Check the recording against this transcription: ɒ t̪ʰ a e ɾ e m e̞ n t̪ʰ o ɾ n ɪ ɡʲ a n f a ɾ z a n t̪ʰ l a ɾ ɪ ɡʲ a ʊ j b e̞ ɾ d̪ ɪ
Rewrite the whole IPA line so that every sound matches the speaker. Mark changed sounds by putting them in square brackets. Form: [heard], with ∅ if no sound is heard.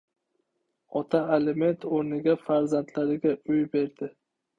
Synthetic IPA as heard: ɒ t̪ʰ a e [l] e m e̞ n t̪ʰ o ɾ n ɪ ɡʲ a [∅] f a ɾ z a n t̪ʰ l a ɾ ɪ ɡʲ a ʊ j b e̞ ɾ d̪ ɪ